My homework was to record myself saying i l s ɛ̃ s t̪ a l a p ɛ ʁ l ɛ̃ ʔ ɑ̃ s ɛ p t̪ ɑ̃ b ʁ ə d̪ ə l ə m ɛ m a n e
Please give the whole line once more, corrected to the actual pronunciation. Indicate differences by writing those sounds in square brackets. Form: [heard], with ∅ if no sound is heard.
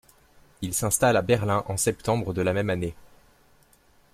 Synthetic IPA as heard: i l s ɛ̃ s t̪ a l a [b] ɛ ʁ l ɛ̃ ʔ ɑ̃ s ɛ p t̪ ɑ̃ b ʁ ə d̪ ə l [a] m ɛ m a n e